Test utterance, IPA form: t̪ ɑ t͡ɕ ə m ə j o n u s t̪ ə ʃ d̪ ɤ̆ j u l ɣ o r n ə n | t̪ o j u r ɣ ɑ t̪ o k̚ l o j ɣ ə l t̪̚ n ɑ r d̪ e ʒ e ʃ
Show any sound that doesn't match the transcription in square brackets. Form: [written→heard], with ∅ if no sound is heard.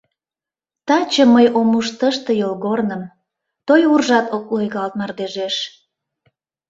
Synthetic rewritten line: t̪ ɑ t͡ɕ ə m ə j o [n→m] u [s→ʃ] t̪ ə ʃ [d̪→t̪] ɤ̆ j [u→o] l ɣ o r n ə [n→m] | t̪ o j u r [ɣ→ʒ] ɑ t̪ o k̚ l o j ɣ [ə→ɑ] l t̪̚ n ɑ r d̪ e ʒ e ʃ